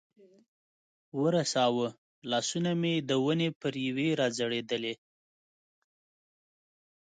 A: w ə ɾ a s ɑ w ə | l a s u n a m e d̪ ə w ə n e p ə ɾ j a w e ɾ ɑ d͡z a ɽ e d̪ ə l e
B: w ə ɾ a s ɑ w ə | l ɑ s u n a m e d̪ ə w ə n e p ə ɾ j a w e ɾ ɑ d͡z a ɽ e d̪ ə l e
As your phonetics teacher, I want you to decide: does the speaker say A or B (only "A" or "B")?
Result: B